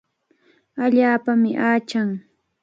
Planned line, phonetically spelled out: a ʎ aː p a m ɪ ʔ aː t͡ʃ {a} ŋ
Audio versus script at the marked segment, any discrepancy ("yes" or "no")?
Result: no